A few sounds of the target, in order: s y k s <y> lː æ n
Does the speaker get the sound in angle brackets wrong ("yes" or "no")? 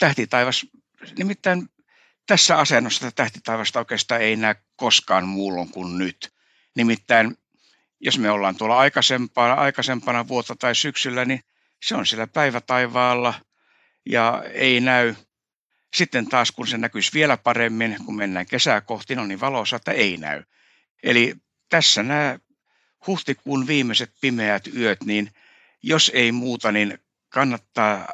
no